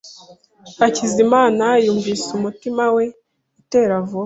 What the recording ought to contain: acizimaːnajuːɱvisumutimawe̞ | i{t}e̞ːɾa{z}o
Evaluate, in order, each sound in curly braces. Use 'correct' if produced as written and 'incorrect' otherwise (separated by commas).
correct, incorrect